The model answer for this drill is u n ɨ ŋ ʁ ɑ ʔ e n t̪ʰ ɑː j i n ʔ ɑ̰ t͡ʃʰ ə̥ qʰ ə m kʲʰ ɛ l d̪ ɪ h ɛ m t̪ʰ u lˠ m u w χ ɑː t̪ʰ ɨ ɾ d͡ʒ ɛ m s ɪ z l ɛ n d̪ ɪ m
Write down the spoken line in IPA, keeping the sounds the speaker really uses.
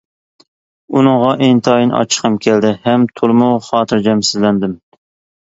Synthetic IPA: u n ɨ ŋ ʁ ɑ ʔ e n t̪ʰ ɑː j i n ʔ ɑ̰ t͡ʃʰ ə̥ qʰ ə m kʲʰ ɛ l d̪ ɪ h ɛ m t̪ʰ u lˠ m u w χ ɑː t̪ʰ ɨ ɾ d͡ʒ ɛ m s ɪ z l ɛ n d̪ ɪ m